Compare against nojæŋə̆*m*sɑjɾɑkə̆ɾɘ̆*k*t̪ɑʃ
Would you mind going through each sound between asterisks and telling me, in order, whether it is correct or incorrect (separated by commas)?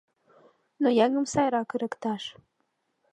correct, correct